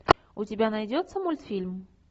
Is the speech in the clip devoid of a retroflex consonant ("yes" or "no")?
yes